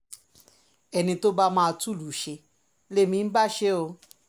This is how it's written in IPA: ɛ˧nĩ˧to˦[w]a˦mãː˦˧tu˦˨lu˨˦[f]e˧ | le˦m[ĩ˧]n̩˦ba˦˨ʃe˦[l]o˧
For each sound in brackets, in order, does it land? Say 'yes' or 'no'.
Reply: no, no, yes, no

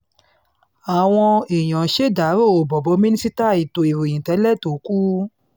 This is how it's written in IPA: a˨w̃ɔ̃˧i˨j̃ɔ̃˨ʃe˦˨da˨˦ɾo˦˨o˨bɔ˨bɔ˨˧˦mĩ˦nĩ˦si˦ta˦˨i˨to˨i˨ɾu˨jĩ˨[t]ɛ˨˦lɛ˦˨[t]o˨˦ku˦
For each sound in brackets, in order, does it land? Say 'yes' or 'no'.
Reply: yes, yes

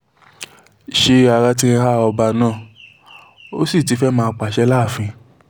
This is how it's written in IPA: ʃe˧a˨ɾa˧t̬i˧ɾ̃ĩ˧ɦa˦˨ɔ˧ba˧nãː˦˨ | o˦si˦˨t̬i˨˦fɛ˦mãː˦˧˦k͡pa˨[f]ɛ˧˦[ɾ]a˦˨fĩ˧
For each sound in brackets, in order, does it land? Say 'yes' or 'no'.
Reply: no, no

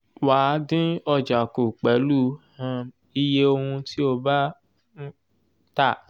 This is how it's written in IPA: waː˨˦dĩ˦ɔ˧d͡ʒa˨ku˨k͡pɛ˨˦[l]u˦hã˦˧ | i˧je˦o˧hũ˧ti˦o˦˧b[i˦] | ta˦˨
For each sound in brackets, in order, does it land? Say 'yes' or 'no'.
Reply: yes, no

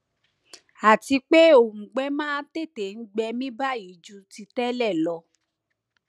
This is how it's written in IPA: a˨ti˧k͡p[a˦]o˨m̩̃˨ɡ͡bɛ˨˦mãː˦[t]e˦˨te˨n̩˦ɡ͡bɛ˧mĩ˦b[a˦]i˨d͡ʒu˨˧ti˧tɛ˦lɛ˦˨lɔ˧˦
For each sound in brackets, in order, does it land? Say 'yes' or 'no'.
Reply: no, yes, yes

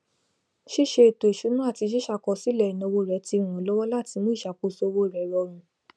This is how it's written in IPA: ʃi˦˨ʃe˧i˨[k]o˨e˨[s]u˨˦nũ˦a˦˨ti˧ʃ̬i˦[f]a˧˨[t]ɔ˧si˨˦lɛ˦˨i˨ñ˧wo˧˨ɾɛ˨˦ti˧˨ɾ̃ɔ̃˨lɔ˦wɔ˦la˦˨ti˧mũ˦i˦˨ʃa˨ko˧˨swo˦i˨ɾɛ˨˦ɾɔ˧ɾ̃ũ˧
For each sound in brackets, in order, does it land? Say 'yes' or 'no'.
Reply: no, no, no, no

